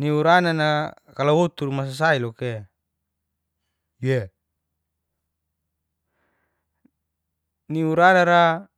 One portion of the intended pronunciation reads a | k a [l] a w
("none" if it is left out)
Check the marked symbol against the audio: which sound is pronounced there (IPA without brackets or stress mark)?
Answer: l